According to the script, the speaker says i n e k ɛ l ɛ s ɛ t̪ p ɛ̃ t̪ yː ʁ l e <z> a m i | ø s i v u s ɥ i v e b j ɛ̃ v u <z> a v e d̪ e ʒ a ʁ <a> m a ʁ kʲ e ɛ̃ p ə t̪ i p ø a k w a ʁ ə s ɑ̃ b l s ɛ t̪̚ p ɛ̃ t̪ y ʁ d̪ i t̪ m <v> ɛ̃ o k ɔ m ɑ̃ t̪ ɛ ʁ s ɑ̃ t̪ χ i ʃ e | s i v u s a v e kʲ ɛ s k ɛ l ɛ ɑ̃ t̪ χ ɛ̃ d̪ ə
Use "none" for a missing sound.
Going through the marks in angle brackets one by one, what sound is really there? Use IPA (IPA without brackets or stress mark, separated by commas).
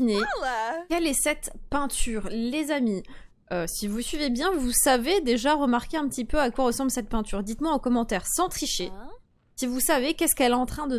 z, s, ə, w